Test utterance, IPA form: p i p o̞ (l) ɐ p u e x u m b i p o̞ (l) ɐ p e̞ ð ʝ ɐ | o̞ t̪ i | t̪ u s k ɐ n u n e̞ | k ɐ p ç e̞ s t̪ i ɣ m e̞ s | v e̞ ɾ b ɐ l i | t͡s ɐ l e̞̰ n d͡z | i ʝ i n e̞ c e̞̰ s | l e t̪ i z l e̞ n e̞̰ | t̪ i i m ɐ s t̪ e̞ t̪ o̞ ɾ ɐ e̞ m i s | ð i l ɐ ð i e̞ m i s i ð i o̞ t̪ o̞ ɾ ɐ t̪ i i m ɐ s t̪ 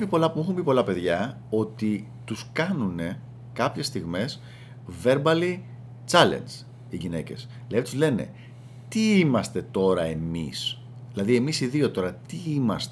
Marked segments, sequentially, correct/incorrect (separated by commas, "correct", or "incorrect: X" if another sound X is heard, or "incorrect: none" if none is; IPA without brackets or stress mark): correct, correct